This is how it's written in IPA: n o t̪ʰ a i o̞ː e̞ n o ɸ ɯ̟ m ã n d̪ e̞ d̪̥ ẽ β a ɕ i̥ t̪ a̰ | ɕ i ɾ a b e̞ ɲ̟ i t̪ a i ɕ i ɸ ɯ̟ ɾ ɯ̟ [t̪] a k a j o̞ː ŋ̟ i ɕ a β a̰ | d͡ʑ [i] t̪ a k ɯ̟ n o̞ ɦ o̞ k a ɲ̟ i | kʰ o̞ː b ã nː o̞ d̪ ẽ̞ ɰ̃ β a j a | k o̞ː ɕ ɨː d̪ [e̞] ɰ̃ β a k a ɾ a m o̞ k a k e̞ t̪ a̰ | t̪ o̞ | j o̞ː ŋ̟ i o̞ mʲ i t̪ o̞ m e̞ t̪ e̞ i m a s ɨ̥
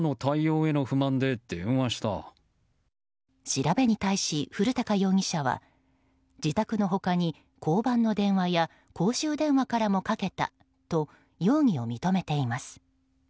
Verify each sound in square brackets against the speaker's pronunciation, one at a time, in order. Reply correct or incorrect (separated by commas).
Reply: correct, correct, incorrect